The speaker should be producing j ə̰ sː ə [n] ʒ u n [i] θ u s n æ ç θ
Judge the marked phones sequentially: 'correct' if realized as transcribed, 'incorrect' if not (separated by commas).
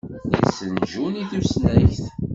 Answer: correct, correct